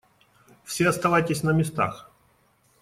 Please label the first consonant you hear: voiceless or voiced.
voiceless